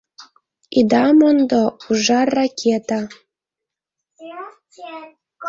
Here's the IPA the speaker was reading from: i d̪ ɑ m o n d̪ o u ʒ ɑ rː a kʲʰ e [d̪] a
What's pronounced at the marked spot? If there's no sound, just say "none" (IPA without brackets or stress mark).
t̪